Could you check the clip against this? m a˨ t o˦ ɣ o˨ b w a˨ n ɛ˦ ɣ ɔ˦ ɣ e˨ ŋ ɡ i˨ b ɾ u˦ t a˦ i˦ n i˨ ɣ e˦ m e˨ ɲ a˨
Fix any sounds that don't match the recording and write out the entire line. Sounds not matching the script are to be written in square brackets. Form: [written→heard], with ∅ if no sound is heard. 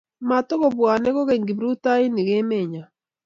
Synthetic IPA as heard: m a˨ t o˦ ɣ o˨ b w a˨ n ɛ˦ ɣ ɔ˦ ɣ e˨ ŋ ɡ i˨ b ɾ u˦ t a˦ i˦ n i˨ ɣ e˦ m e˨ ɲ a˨